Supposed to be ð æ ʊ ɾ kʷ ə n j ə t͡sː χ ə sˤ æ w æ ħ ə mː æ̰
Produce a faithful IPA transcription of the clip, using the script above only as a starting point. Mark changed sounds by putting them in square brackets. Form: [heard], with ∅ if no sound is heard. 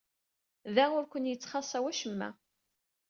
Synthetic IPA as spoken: ð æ ʊ ɾ kʷ ə n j ə t͡sː χ [ɑ] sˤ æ w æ [ʃ] ə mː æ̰